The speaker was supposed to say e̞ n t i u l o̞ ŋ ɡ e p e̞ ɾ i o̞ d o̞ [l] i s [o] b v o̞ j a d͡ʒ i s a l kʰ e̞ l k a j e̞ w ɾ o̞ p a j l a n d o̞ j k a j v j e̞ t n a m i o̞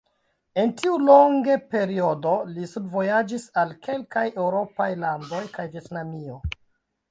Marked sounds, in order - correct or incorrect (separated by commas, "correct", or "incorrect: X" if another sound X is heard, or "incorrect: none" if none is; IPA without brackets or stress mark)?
correct, incorrect: u